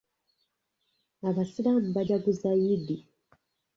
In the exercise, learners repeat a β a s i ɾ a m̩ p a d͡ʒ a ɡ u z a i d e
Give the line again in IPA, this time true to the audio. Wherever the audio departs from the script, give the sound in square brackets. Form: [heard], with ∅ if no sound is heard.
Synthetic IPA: a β a s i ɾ a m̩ [b] a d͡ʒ a ɡ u z a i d [i]